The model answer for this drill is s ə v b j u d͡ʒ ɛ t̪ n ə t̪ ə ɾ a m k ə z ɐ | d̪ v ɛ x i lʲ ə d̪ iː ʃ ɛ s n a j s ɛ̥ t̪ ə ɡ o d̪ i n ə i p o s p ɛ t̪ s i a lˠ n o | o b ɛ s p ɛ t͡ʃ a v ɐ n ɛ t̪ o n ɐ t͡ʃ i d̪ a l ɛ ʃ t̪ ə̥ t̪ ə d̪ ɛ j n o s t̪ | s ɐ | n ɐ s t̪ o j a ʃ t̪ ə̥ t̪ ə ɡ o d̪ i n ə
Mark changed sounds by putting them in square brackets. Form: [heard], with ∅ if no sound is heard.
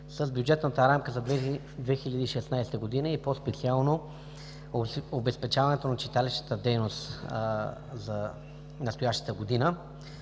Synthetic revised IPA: s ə [z] b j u d͡ʒ ɛ t̪ n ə t̪ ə ɾ a m k ə z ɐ | d̪ v ɛ x i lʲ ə d̪ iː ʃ ɛ s n a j s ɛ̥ t̪ ə ɡ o d̪ i n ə i p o s p ɛ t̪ s i a lˠ n o | o b ɛ s p ɛ t͡ʃ a v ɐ n ɛ t̪ o n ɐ t͡ʃ i [t̪] a l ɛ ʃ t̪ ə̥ t̪ ə d̪ ɛ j n o s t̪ | [z] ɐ | n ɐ s t̪ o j a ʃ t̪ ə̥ t̪ ə ɡ o d̪ i n ə